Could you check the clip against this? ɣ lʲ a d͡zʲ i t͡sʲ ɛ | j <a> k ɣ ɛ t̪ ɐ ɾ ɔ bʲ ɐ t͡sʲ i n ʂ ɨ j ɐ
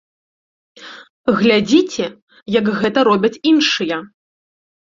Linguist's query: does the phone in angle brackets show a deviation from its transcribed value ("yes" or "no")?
yes